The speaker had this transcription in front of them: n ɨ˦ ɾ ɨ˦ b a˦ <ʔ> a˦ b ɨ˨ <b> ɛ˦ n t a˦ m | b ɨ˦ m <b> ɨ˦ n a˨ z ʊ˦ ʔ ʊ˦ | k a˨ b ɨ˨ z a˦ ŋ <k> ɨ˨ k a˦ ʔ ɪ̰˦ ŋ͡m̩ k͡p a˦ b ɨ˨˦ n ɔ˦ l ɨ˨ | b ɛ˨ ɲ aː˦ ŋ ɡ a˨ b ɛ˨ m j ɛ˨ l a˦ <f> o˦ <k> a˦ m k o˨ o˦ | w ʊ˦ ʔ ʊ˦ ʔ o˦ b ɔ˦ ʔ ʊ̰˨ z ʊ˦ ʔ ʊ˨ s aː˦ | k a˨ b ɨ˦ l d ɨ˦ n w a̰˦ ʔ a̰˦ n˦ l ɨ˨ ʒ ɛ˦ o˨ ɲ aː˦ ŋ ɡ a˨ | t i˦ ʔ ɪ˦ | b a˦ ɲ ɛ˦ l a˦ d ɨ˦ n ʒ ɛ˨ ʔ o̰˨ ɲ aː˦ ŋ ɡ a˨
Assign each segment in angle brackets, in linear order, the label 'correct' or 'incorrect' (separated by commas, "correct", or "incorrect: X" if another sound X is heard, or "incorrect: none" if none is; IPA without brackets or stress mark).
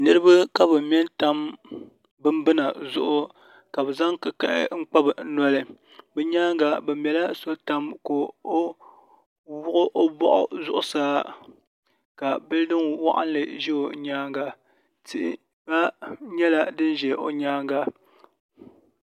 incorrect: k, incorrect: m, correct, correct, incorrect: s, incorrect: t